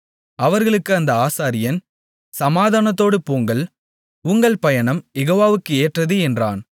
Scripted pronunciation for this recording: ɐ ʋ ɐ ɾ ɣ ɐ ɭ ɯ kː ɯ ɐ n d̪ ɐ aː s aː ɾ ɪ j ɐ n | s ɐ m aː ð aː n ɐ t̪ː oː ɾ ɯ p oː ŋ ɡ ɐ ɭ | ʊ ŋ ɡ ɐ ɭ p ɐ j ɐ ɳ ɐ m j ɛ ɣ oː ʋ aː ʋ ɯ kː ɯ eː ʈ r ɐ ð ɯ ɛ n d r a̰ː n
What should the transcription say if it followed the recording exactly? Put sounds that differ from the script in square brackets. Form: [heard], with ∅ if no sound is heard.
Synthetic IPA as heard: ɐ ʋ ɐ ɾ ɣ ɐ ɭ ɯ kː ɯ ɐ n d̪ ɐ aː s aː ɾ ɪ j ɐ n | s ɐ m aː ð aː n ɐ t̪ː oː [ɽ] ɯ p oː ŋ ɡ ɐ ɭ | ʊ ŋ ɡ ɐ ɭ p ɐ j ɐ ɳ ɐ m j ɛ ɣ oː ʋ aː ʋ ɯ kː ɯ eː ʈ r ɐ ð ɯ ɛ n d r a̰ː n